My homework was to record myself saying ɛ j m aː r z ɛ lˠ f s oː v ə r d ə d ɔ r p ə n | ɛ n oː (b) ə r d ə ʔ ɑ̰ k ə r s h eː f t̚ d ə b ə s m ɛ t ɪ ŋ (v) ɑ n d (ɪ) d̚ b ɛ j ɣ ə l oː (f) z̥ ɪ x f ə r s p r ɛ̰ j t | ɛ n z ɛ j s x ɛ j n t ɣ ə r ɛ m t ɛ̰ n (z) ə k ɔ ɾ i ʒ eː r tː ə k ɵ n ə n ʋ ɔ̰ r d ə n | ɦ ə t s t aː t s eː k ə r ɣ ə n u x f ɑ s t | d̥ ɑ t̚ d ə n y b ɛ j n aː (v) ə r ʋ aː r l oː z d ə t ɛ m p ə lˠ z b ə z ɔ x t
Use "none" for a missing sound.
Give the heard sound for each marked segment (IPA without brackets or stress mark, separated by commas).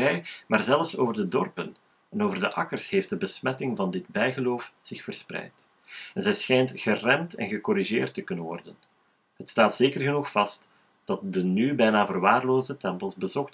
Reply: v, v, ɪ, f, ɣ, v